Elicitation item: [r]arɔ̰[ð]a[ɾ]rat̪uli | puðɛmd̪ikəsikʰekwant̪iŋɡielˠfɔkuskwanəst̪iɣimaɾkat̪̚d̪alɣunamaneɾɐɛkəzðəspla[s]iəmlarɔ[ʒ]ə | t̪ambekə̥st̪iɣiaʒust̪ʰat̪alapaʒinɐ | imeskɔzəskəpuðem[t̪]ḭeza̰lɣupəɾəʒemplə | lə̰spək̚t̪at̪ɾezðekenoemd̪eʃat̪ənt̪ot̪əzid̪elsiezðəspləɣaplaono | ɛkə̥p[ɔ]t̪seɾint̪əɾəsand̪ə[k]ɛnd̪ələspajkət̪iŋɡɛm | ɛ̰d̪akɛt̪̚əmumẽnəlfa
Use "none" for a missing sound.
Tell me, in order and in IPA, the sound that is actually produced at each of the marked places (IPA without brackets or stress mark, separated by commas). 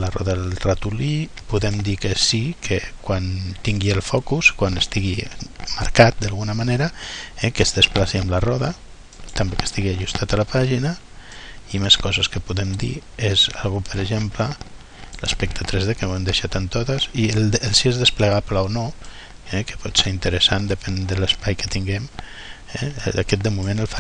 l, ð, l, s, ð, d̪, ɔ, p